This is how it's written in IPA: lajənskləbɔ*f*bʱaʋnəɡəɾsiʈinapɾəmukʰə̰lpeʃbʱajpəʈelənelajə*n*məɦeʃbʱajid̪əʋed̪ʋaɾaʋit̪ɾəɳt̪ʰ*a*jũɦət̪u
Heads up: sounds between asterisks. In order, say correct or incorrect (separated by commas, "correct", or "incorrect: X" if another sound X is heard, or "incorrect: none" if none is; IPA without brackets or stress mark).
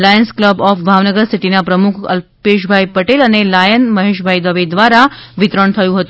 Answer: correct, correct, incorrect: ə